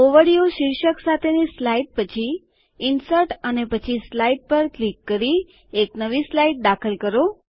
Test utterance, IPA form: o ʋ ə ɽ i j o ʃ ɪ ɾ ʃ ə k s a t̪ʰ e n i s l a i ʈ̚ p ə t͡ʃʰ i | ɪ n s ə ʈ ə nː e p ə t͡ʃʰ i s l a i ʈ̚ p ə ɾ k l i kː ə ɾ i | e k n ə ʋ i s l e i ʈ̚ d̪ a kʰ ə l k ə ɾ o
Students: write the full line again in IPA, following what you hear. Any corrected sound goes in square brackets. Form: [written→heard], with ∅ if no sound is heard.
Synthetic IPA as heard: o ʋ ə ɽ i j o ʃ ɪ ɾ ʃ ə k s a t̪ʰ e n i s l a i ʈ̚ p ə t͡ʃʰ i | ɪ n s ə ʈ ə [nː→n] e p ə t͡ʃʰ i s l a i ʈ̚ p ə ɾ k l i kː ə ɾ i | e k n ə ʋ i s l [e→a] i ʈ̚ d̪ a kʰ ə l k ə ɾ o